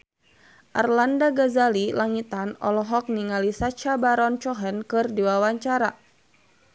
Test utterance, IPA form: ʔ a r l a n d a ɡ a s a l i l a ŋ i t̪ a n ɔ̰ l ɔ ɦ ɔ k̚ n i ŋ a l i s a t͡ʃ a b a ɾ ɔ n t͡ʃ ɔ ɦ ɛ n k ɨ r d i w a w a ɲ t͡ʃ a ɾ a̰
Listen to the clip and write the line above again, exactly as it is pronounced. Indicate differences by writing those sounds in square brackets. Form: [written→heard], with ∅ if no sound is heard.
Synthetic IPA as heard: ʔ a r l a n d a ɡ a [s→z] a l i l a ŋ i t̪ a n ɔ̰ l ɔ ɦ ɔ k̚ n i ŋ a l i s a t͡ʃ a b a ɾ ɔ n t͡ʃ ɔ ɦ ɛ n k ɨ r d i w a w a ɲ t͡ʃ a ɾ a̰